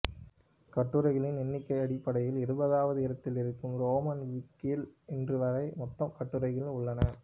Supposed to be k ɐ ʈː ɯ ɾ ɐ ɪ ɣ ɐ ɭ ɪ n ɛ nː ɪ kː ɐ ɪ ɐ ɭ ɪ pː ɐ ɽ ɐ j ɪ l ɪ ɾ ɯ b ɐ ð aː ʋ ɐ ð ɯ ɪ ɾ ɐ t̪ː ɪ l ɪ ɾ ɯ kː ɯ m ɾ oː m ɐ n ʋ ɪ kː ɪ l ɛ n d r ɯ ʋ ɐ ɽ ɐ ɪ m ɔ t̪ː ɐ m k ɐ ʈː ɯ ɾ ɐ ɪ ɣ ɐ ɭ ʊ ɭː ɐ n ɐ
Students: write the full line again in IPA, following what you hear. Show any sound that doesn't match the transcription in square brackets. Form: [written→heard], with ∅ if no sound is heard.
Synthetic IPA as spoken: k ɐ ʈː ɯ ɾ ɐ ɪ ɣ ɐ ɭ ɪ n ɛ nː ɪ kː ɐ ɪ ɐ [ɭ→ɽ] ɪ pː ɐ ɽ ɐ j ɪ l ɪ ɾ ɯ b ɐ ð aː ʋ ɐ ð ɯ ɪ ɾ ɐ t̪ː ɪ l ɪ ɾ ɯ kː ɯ m ɾ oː m ɐ n ʋ ɪ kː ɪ l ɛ n d r ɯ ʋ ɐ [ɽ→ɾ] ɐ ɪ m ɔ t̪ː ɐ m k ɐ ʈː ɯ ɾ ɐ ɪ ɣ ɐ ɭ ʊ ɭː ɐ n ɐ